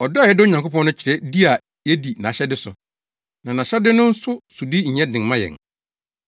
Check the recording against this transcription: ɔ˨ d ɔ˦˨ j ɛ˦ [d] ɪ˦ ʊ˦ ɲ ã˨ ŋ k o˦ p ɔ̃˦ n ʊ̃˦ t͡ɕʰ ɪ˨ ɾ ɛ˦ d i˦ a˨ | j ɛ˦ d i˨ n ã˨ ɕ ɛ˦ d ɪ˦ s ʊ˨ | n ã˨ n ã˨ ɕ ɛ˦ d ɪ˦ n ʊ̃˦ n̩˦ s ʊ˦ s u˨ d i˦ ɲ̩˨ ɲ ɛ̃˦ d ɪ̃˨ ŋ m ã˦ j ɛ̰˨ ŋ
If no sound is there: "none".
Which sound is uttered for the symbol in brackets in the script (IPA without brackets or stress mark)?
d